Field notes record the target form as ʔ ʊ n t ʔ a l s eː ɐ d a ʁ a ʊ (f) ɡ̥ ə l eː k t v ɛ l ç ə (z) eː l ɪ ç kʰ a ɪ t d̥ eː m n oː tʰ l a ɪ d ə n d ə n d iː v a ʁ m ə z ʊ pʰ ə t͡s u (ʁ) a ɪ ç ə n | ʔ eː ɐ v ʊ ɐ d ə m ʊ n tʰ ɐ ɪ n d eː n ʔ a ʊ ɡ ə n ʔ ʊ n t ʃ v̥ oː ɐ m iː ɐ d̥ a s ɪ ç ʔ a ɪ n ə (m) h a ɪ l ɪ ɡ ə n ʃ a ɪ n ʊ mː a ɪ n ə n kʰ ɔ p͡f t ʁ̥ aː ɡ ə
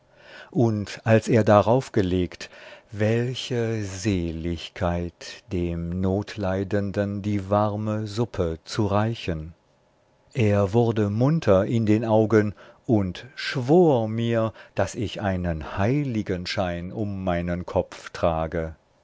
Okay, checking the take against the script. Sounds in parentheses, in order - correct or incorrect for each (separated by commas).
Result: correct, correct, correct, incorrect